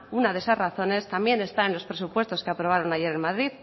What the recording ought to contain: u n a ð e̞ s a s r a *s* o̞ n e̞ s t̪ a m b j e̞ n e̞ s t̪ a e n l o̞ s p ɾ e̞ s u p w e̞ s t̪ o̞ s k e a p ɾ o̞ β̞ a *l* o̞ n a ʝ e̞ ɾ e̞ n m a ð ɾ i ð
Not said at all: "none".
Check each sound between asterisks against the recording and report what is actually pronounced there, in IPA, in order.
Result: θ, ɾ

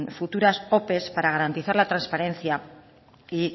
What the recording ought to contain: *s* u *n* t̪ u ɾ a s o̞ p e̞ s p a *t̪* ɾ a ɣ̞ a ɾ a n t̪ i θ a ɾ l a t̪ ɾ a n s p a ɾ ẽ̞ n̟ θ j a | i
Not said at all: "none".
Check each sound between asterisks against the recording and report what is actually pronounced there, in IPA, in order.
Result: f, none, none

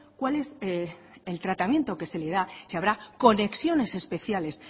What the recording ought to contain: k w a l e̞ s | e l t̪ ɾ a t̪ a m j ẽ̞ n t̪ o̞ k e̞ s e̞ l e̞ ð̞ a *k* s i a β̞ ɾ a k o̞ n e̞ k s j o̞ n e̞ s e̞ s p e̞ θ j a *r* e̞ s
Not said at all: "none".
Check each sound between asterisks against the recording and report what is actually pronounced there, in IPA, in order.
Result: none, l

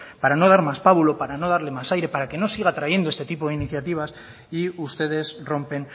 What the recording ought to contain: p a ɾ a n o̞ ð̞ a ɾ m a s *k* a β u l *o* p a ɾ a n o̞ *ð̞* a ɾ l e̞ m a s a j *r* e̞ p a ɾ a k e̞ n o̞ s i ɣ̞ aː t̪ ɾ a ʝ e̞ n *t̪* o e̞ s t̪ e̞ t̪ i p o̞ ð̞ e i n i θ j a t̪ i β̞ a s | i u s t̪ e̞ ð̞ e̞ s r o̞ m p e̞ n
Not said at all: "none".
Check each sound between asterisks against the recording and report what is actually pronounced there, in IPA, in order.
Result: p, o, ð̞, ɾ, d̪

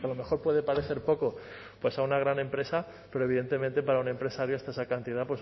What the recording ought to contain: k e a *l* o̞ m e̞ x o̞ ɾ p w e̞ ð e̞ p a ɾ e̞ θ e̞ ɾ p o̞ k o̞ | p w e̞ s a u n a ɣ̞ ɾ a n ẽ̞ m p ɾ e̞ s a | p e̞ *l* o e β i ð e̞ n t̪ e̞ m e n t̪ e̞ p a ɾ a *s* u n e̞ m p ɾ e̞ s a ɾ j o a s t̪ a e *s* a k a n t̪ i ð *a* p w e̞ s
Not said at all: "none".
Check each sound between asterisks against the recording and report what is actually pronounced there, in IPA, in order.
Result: l, ɾ, none, s, a

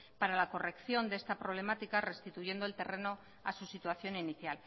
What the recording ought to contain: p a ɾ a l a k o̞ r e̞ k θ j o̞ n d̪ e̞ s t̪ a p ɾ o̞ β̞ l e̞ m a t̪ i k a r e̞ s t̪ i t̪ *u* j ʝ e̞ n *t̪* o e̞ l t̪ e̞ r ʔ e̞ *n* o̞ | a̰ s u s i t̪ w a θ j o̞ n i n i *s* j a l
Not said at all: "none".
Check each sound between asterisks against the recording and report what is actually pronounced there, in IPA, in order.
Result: u, d̪, n, θ

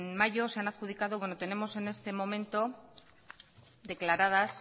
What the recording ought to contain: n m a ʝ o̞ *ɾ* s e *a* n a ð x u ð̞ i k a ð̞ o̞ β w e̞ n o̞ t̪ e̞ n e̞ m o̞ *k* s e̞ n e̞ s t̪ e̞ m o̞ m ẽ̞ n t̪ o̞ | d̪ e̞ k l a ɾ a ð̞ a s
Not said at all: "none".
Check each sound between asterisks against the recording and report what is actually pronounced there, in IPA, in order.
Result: none, a, none

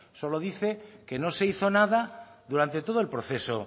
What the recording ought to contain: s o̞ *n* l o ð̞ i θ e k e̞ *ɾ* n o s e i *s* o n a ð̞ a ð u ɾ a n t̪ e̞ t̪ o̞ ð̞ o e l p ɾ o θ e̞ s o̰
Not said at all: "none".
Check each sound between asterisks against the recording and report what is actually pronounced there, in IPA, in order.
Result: none, none, θ

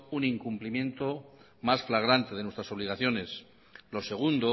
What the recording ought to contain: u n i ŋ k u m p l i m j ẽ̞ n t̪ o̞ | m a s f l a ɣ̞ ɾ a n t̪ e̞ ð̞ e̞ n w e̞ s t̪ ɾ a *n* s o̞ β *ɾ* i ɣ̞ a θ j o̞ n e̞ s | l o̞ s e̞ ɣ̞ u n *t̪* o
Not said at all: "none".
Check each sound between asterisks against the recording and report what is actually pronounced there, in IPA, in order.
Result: none, l, d̪

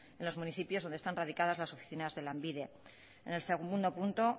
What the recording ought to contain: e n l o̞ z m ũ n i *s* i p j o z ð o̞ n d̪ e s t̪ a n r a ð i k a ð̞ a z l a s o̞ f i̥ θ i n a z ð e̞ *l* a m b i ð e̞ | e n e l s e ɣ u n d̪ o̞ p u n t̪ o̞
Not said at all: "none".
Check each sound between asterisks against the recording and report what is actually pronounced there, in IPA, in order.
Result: θ, l

